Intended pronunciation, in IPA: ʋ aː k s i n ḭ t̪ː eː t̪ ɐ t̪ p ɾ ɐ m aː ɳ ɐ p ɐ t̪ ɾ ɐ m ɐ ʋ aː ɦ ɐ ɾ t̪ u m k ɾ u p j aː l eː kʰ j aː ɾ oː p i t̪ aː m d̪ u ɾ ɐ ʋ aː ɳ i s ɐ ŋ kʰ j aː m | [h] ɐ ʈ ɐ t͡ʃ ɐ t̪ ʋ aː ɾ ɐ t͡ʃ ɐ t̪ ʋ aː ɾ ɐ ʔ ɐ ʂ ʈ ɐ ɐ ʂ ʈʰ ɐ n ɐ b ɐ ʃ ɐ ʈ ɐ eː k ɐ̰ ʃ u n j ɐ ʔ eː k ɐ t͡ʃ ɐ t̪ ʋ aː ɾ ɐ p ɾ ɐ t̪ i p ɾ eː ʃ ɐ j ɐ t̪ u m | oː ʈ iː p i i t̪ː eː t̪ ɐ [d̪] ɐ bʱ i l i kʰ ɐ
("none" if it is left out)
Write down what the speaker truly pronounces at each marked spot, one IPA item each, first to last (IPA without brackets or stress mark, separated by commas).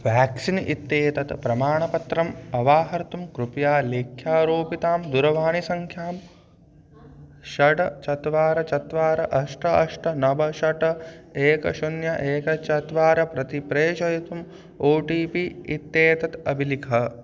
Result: ʃ, t̪